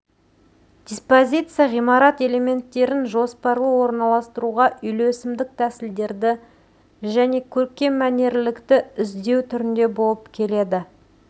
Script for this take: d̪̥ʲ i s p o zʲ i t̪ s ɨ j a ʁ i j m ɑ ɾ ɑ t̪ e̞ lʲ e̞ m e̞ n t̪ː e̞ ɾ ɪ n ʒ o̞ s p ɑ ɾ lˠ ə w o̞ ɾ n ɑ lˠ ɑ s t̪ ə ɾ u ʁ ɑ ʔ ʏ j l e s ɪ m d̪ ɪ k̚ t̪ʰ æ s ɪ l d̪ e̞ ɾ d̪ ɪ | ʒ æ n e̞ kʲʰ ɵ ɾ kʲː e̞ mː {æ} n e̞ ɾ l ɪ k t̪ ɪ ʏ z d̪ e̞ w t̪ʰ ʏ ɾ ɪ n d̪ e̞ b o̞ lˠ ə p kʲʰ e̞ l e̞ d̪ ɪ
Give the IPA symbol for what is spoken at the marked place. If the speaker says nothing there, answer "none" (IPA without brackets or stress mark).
æ